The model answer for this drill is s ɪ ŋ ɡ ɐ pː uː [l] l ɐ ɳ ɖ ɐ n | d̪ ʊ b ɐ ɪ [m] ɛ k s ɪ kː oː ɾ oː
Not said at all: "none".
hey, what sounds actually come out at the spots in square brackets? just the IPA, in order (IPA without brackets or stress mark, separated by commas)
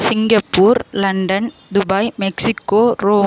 ɾ, m